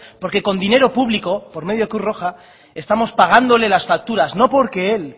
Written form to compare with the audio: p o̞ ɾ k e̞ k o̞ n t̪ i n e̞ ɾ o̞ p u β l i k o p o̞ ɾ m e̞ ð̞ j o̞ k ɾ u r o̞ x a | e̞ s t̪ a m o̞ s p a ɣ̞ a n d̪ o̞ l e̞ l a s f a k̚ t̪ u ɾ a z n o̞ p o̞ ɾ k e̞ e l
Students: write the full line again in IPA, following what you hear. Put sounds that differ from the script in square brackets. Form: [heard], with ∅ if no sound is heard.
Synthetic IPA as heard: p o̞ ɾ k e̞ k o̞ n [d̪] i n e̞ ɾ o̞ p u β l i k o p o̞ ɾ m e̞ ð̞ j o̞ k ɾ u r o̞ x a | e̞ s t̪ a m o̞ s p a ɣ̞ a n d̪ o̞ l e̞ l a s f a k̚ t̪ u ɾ a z n o̞ p o̞ ɾ k e̞ e l